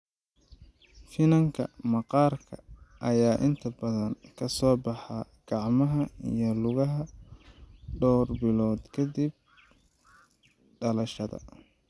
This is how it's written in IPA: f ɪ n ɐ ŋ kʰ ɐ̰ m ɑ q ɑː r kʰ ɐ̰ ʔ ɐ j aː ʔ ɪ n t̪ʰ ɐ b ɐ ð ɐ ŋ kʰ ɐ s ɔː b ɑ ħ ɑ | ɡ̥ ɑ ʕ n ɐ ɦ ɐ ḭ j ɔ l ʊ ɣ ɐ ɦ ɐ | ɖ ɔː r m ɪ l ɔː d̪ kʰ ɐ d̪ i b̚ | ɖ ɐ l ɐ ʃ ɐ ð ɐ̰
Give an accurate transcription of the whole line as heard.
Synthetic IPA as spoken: f ɪ n ɐ ŋ kʰ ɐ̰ m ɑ q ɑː r kʰ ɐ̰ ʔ ɐ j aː ʔ ɪ n t̪ʰ ɐ b ɐ ð ɐ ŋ kʰ ɐ s ɔː b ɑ ħ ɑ | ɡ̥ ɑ ʕ m ɐ ɦ ɐ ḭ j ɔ l ʊ ɣ ɐ ɦ ɐ | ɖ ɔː r b ɪ l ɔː d̪ kʰ ɐ d̪ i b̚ | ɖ ɐ l ɐ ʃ ɐ ð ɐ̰